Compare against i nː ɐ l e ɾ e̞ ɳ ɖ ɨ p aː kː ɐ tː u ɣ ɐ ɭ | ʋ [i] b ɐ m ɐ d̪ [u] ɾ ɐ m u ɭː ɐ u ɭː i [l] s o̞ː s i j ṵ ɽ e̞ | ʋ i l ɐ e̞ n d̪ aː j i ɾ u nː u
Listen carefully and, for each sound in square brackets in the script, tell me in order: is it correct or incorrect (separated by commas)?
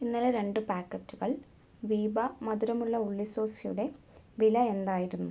incorrect, correct, incorrect